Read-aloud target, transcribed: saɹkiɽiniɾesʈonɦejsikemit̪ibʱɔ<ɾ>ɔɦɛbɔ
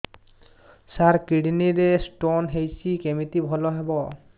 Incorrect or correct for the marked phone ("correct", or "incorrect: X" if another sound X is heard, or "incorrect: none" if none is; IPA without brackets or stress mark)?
incorrect: l